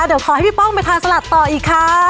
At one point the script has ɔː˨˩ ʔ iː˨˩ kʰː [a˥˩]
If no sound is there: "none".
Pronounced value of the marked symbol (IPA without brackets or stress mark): a˦˥